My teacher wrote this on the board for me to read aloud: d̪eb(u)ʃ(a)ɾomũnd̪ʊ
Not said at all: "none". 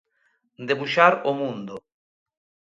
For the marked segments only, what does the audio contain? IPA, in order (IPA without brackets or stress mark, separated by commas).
u, a